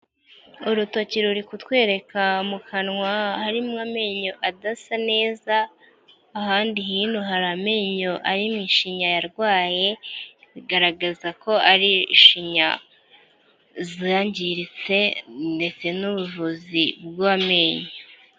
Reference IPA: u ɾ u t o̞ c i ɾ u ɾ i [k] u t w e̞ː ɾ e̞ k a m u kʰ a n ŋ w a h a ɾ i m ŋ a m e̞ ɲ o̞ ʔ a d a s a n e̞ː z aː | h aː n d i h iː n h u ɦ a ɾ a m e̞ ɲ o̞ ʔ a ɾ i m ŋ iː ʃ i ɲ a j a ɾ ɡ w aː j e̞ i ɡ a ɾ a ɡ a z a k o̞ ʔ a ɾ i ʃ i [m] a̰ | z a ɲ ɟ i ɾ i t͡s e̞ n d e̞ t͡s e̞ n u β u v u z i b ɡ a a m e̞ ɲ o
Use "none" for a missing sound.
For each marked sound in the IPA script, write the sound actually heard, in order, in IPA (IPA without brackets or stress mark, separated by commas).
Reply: k, ɲ